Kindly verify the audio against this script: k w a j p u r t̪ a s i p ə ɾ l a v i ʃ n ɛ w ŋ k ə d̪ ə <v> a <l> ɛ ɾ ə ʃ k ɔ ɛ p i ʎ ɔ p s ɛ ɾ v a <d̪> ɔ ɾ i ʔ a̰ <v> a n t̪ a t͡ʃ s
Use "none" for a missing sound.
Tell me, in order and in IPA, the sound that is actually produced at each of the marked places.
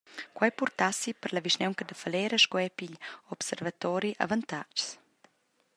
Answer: f, l, t̪, v

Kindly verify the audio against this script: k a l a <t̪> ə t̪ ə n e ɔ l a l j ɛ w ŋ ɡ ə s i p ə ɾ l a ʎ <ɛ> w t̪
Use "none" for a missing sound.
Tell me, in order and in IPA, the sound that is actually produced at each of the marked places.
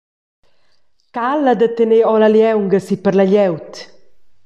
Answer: d̪, ɛ

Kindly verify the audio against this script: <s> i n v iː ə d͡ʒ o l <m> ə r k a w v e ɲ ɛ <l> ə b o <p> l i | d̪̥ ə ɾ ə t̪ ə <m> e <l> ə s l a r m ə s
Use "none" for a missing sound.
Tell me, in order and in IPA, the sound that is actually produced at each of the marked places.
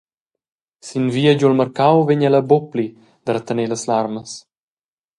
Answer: s, m, l, p, n, l

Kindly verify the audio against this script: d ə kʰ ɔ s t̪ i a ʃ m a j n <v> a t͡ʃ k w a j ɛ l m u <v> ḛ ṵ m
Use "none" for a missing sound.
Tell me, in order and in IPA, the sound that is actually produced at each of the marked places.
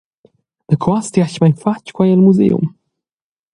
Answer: f, z

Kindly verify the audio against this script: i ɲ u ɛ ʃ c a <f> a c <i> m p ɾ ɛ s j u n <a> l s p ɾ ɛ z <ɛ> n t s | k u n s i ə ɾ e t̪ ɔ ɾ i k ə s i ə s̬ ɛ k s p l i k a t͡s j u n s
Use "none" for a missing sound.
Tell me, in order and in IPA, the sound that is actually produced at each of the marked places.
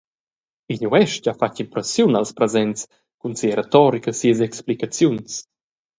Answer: f, i, a, ɛ

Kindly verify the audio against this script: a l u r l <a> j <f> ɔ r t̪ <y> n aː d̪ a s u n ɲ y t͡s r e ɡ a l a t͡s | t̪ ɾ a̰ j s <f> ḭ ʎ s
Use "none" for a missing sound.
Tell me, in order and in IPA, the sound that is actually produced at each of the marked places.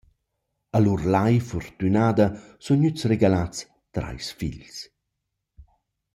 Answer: a, f, y, f

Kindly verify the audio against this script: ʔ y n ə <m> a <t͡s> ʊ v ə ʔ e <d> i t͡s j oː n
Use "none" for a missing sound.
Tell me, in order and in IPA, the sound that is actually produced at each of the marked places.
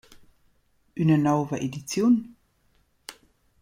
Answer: n, none, d

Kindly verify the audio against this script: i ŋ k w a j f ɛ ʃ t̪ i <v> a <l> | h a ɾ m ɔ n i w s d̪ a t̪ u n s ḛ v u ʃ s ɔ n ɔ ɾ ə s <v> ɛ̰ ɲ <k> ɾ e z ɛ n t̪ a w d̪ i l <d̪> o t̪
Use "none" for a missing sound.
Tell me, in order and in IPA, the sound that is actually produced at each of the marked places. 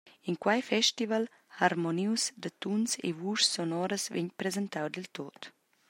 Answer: v, l, v, p, t̪

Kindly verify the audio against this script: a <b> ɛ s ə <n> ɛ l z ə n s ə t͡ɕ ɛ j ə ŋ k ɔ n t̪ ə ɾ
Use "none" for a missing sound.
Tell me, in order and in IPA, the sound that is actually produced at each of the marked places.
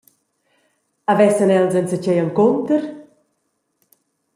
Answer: v, n

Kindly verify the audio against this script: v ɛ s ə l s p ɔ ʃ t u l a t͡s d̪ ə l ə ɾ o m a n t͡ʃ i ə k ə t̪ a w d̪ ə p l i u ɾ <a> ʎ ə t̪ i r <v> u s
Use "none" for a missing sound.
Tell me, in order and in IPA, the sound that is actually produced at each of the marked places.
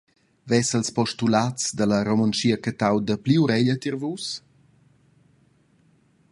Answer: ɛ, v

